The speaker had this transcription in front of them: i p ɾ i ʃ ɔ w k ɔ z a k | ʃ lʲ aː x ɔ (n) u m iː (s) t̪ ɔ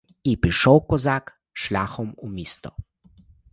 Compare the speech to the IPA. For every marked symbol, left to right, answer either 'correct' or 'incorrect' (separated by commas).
incorrect, correct